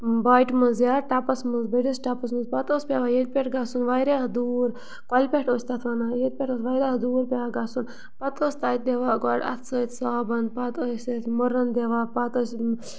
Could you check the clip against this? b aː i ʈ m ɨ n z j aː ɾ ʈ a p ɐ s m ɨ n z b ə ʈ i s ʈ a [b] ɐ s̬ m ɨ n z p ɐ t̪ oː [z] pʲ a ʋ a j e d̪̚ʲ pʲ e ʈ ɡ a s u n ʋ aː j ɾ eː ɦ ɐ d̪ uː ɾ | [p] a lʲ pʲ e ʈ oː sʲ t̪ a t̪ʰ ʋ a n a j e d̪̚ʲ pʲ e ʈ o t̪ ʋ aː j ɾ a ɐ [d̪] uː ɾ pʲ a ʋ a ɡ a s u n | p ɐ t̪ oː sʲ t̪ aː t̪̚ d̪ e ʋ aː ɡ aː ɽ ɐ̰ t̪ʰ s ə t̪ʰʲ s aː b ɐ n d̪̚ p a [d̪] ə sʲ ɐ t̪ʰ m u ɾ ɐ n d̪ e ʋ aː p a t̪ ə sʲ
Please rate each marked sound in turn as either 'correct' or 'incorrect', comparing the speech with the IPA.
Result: incorrect, incorrect, incorrect, correct, incorrect

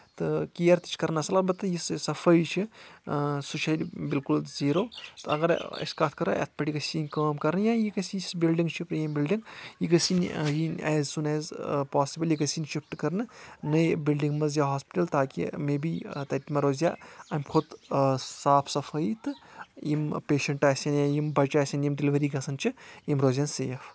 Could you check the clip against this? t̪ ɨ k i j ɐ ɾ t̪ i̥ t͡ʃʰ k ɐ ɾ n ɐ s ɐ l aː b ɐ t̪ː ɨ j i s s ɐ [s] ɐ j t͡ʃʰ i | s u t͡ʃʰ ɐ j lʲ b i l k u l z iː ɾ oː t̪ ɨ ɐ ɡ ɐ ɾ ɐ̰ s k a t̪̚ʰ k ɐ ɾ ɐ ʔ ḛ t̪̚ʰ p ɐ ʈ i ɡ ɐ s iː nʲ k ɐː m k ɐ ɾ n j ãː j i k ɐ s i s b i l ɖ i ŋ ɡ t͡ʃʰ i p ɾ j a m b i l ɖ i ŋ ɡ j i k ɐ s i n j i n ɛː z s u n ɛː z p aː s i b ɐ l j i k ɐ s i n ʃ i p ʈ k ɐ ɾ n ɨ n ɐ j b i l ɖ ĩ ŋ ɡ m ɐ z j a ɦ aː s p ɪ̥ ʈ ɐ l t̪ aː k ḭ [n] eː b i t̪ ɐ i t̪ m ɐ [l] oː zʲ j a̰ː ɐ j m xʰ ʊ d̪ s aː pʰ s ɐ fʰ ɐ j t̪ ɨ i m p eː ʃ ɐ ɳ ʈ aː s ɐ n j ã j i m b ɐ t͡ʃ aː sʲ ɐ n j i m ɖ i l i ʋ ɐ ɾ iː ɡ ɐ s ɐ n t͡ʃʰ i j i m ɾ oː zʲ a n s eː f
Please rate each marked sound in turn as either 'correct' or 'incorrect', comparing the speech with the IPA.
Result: incorrect, incorrect, incorrect

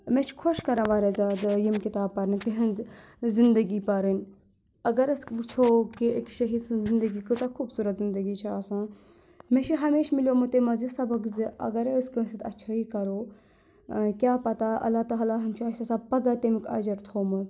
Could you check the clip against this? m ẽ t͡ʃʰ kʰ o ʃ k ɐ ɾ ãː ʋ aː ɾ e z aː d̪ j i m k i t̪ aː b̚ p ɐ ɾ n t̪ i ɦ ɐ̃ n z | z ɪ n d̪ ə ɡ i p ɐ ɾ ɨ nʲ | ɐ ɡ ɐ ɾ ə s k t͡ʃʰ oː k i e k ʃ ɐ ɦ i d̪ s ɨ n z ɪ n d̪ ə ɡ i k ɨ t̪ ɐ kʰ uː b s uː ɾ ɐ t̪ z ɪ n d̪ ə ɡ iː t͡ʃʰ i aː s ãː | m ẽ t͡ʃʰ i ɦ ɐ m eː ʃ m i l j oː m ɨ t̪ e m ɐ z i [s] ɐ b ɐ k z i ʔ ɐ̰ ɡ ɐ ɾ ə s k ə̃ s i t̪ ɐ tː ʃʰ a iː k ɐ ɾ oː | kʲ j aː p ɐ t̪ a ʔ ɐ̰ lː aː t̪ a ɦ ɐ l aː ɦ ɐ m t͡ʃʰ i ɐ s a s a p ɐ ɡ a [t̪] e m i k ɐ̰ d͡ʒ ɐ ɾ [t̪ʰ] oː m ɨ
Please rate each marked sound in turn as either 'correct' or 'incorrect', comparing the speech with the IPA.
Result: correct, correct, correct

